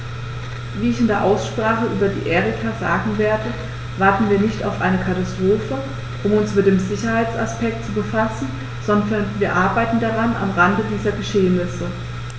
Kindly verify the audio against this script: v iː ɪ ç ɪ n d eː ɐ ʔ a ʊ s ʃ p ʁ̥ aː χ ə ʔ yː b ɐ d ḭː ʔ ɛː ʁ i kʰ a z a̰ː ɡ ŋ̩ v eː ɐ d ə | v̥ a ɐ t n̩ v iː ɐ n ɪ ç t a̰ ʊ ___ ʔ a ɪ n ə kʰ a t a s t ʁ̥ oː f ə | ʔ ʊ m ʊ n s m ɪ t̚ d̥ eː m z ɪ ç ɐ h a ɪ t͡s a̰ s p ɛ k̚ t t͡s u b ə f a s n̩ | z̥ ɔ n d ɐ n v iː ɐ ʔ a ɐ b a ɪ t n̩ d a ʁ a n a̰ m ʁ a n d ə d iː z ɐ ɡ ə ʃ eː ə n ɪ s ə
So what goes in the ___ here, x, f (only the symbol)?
f